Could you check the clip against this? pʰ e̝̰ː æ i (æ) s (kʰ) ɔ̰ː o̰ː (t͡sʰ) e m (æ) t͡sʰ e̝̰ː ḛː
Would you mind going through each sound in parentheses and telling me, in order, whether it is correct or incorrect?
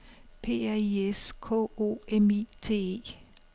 incorrect: e, correct, incorrect: none, incorrect: i

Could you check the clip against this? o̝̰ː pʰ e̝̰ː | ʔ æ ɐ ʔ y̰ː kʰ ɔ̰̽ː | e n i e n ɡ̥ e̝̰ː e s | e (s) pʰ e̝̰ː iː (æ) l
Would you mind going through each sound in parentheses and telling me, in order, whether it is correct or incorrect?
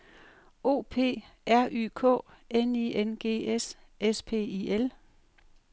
correct, incorrect: e

